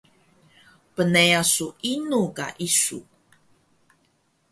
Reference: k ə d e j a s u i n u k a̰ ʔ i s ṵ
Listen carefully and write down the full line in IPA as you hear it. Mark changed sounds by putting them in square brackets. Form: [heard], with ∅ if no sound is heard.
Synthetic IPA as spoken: [p] ə [n] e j a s u i n u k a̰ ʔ i s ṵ